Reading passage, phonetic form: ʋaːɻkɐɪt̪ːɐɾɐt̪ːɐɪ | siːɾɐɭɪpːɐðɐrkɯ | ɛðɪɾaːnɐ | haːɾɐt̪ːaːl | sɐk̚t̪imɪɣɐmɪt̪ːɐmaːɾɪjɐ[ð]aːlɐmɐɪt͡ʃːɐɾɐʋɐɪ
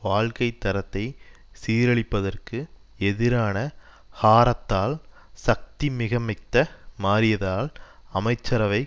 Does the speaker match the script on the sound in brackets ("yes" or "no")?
yes